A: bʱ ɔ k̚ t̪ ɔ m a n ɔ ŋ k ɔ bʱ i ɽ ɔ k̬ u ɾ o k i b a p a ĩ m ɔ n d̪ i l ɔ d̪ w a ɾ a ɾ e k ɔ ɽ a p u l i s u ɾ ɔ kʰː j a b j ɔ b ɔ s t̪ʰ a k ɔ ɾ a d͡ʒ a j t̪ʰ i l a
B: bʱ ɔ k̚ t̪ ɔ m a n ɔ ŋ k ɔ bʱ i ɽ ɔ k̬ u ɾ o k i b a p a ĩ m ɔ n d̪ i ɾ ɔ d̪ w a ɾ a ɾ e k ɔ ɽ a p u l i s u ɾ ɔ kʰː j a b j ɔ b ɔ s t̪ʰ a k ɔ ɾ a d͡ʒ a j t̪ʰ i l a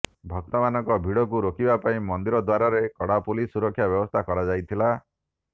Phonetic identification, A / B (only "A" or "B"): B